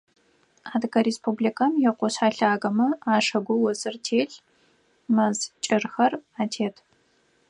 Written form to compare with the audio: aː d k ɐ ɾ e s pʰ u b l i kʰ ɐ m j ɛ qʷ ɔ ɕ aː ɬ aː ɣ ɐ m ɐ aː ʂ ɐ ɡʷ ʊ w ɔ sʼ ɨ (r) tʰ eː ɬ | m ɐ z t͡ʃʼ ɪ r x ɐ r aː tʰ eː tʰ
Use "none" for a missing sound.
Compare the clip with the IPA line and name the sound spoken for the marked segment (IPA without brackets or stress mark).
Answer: r